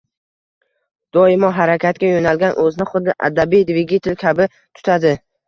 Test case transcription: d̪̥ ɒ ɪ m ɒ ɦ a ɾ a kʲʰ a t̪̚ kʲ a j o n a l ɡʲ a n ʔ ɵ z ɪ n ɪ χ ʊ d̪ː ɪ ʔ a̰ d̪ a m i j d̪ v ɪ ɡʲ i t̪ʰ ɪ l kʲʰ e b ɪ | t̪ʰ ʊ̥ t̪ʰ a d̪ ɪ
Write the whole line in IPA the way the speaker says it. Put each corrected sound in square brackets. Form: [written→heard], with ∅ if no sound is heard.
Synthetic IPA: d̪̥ ɒ ɪ m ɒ ɦ a ɾ a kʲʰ a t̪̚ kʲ a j o n a l ɡʲ a n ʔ ɵ z ɪ n ɪ χ ʊ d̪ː ɪ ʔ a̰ d̪ a [m→b] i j d̪ v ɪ ɡʲ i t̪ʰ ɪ l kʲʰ [e→a] b ɪ | t̪ʰ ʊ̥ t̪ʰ a d̪ ɪ